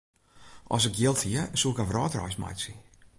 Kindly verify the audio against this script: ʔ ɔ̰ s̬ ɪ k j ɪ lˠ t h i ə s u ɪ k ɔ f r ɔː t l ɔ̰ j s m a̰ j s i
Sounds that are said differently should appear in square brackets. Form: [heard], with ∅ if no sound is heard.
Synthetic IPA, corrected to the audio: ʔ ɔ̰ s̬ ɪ k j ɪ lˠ t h i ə s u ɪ k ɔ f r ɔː t [r] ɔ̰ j s m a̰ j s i